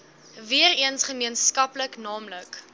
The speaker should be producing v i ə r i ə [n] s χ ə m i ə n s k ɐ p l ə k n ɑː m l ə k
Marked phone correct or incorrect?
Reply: correct